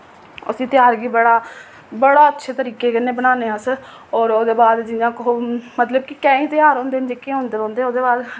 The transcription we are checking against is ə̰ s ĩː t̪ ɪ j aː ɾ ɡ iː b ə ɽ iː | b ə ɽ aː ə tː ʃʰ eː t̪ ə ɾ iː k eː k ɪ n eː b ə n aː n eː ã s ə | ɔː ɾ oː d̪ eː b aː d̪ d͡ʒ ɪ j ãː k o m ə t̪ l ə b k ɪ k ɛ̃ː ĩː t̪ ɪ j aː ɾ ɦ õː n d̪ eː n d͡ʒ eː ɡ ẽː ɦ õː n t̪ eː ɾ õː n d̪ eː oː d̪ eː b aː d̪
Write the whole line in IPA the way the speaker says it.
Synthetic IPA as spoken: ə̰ s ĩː t̪ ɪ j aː ɾ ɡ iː b ə ɽ aː | b ə ɽ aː ə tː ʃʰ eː t̪ ə ɾ iː k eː k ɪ n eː b ə n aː n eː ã s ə | ɔː ɾ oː d̪ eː b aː d̪ d͡ʒ ɪ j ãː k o m ə t̪ l ə b k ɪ k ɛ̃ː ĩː t̪ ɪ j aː ɾ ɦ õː n d̪ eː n d͡ʒ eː k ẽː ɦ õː n d̪ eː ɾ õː n d̪ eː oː d̪ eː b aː d̪